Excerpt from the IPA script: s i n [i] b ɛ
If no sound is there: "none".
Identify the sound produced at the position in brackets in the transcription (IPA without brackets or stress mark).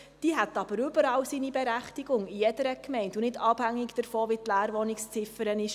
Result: i